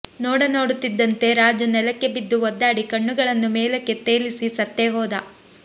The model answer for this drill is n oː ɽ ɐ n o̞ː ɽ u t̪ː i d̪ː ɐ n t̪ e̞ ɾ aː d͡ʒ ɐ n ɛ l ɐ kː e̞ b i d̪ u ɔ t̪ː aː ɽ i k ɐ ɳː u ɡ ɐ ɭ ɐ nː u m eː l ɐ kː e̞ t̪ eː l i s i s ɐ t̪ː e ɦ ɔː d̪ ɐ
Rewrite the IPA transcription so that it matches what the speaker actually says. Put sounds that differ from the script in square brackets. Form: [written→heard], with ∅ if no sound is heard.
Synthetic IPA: n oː ɽ ɐ n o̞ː ɽ u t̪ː i d̪ː ɐ n t̪ e̞ ɾ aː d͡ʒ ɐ n ɛ l ɐ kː e̞ b i [d̪→d̪ː] u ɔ [t̪ː→d̪ː] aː ɽ i k ɐ ɳː u ɡ ɐ ɭ ɐ nː u m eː l ɐ kː e̞ t̪ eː l i s i s ɐ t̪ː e ɦ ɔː d̪ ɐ